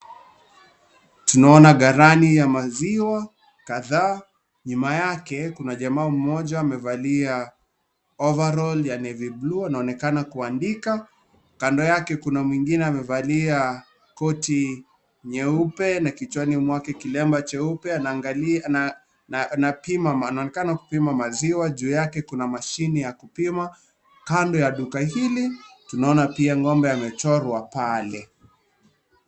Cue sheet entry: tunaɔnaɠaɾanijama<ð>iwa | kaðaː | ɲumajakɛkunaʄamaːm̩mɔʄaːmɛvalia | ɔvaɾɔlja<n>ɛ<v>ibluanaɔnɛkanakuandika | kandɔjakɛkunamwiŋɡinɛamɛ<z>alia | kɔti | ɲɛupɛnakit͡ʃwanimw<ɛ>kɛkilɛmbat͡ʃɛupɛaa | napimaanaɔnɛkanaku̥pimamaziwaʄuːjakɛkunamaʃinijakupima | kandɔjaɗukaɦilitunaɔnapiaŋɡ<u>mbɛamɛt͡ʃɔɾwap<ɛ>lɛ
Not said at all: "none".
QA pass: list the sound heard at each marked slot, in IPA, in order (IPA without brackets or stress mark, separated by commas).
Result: z, n, v, v, a, ɔ, a